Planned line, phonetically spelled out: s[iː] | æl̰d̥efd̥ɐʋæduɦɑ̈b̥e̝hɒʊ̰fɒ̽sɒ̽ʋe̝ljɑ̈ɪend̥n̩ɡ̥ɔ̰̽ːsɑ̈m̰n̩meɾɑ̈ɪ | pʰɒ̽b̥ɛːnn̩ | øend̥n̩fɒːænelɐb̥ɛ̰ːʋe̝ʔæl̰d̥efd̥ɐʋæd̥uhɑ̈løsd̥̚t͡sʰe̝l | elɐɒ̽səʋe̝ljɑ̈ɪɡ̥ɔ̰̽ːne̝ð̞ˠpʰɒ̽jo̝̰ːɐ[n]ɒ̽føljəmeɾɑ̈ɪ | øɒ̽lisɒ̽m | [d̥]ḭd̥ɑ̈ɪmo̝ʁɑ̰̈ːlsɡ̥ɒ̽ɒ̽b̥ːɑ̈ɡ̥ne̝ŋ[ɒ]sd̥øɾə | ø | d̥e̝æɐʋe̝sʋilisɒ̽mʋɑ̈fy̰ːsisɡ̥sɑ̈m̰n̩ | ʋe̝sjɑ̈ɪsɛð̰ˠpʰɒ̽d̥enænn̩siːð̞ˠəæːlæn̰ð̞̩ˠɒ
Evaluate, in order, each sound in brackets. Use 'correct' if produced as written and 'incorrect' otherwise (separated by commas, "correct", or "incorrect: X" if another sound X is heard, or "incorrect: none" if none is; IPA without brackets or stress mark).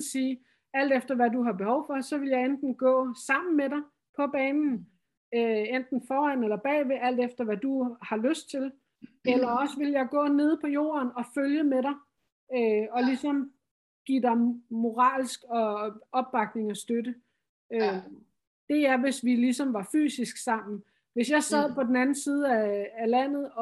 correct, correct, incorrect: ɡ̥, correct